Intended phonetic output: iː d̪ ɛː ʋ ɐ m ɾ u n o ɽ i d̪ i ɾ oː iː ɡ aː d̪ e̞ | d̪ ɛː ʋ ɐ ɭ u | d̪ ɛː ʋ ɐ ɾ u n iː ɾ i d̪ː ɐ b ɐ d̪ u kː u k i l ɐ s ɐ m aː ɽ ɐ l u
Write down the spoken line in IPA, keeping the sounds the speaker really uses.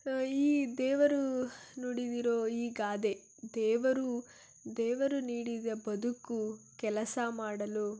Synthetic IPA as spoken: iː d̪ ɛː ʋ ɐ ɾ u n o ɽ i d̪ i ɾ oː iː ɡ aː d̪ e̞ | d̪ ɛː ʋ ɐ ɾ u | d̪ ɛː ʋ ɐ ɾ u n iː ɽ i d̪ ɐ b ɐ d̪ u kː u k ɛ l ɐ s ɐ m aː ɽ ɐ l u